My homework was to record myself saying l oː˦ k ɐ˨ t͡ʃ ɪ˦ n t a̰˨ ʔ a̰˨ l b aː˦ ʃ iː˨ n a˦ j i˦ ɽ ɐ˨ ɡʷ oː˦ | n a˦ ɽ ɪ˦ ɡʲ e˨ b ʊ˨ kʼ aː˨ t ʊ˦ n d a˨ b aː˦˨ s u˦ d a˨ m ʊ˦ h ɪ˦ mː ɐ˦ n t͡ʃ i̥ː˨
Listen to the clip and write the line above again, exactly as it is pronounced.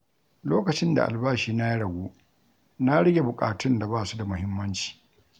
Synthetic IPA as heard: l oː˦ k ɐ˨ t͡ʃ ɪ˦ n d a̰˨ ʔ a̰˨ l b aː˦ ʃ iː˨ n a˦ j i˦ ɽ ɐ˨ ɡʷ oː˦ | n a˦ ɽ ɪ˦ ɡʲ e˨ b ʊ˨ kʼ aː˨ t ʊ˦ n d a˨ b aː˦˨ s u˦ d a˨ m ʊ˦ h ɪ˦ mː ɐ˦ n t͡ʃ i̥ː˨